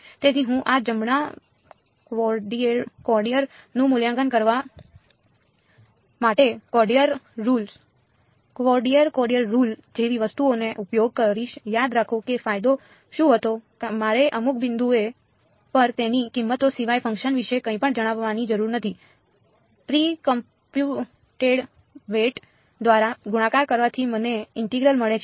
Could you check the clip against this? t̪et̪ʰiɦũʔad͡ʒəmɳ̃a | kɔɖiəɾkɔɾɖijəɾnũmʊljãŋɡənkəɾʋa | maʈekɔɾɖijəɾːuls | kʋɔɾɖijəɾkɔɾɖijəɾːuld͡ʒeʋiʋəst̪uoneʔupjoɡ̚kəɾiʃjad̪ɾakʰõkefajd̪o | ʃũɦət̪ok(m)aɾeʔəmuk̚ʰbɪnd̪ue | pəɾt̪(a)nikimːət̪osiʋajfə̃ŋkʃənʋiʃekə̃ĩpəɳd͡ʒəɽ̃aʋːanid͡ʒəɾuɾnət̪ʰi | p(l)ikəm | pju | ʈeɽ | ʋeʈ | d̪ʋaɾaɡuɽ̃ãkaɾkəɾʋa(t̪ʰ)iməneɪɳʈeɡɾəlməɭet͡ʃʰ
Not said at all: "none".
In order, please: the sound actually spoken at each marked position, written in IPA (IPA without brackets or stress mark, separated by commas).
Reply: m, e, ɾ, t̪ʰ